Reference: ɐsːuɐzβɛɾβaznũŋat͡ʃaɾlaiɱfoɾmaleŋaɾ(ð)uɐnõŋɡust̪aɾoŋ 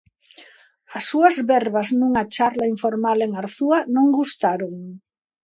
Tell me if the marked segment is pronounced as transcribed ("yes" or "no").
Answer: no